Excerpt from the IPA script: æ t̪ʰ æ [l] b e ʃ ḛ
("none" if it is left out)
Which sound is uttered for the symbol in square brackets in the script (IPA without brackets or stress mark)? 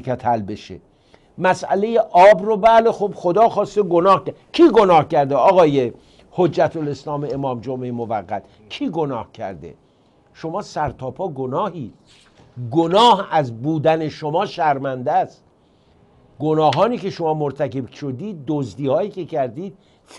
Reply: l